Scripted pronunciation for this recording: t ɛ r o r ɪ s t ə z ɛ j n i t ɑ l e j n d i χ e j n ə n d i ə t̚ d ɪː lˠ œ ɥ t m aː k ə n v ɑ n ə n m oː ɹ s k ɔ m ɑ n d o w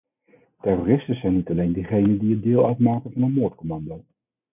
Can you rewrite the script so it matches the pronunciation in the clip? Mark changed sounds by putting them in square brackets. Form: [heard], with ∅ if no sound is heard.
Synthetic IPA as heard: t ɛ r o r ɪ s t ə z ɛ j n i t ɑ l e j n d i χ e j n ə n d i ə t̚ d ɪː lˠ œ ɥ t m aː k ə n v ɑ n ə n m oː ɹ [t] k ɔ m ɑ n d o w